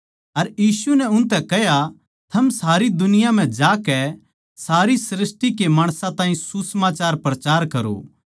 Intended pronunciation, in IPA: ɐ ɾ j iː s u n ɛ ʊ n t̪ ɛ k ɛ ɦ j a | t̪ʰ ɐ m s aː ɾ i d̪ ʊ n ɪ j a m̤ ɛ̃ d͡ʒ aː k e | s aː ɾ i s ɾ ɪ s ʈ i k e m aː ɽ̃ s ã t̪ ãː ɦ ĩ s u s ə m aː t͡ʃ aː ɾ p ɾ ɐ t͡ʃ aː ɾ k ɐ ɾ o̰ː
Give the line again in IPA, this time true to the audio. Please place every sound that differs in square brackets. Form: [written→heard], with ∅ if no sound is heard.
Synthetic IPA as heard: ɐ ɾ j iː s u n ɛ ʊ n t̪ ɛ k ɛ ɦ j a | t̪ʰ ɐ m s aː ɾ i d̪ ʊ n ɪ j a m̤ ɛ̃ d͡ʒ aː k [e→ɛ] | s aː ɾ i s ɾ ɪ s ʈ i k e m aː ɽ̃ s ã t̪ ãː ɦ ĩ s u s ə m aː t͡ʃ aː ɾ p ɾ ɐ t͡ʃ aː ɾ k ɐ ɾ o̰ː